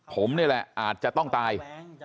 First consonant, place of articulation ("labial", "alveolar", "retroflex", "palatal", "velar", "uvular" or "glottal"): labial